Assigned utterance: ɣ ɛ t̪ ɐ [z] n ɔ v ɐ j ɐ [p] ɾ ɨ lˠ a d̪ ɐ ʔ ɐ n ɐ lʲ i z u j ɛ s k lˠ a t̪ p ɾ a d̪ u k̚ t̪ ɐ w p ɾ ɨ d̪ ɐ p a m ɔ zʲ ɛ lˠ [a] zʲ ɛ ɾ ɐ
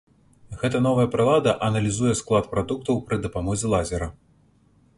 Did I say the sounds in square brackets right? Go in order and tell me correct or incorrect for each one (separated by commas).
incorrect, correct, correct